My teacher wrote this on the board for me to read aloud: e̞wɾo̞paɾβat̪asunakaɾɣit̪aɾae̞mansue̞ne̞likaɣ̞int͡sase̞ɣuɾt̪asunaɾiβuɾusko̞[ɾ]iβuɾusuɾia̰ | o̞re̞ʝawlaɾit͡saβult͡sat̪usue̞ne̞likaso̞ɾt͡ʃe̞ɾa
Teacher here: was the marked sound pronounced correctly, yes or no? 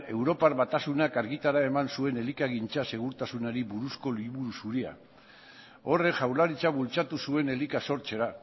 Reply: no